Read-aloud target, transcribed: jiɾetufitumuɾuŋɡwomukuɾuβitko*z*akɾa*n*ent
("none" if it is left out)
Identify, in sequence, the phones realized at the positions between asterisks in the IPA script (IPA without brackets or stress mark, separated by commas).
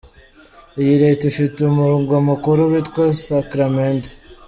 s, m